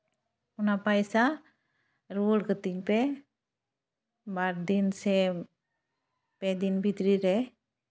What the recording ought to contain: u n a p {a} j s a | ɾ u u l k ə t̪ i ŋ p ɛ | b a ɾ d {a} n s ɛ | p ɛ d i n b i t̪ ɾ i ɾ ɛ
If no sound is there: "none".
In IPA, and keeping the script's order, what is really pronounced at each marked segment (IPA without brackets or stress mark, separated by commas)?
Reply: a, i